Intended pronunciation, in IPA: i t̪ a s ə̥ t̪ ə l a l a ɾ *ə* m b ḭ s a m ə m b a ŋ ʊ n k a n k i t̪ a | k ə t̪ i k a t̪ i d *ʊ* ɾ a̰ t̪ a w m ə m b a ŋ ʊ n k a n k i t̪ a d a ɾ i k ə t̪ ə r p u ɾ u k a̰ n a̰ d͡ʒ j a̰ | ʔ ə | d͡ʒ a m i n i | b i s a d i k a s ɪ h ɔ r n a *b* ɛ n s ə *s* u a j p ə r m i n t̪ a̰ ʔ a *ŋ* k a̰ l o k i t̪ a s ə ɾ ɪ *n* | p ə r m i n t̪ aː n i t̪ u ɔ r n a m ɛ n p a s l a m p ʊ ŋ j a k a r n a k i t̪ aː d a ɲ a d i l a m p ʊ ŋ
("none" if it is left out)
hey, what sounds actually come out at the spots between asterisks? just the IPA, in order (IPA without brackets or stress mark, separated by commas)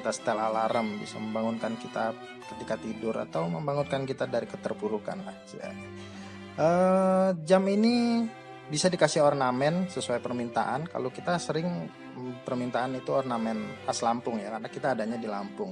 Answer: ə, ʊ, m, s, n, ŋ